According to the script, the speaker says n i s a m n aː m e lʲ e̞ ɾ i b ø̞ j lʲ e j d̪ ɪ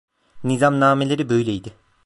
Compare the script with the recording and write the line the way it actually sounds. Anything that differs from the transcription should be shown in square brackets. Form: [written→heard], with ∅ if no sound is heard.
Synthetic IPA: n i [s→z] a m n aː m e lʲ e̞ ɾ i b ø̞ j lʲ e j d̪ ɪ